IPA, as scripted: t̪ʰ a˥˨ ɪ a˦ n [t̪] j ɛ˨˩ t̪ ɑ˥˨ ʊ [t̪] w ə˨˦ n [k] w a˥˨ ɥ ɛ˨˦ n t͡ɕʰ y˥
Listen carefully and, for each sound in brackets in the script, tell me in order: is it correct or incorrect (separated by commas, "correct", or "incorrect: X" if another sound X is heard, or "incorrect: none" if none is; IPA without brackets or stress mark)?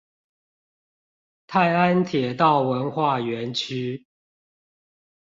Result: incorrect: t̪ʰ, incorrect: none, incorrect: x